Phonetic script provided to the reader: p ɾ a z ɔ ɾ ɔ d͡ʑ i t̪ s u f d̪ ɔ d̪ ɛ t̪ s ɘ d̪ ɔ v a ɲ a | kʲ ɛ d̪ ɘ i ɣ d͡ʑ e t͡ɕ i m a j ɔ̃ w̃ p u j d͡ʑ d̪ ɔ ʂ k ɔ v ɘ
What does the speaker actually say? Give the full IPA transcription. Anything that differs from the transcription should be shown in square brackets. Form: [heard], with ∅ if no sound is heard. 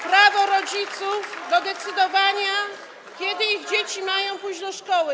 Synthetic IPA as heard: p ɾ a [v] ɔ ɾ ɔ d͡ʑ i t̪ s u f d̪ ɔ d̪ ɛ t̪ s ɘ d̪ ɔ v a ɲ a | kʲ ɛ d̪ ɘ i ɣ d͡ʑ e t͡ɕ i m a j ɔ̃ w̃ p u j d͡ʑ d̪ ɔ ʂ k ɔ [w] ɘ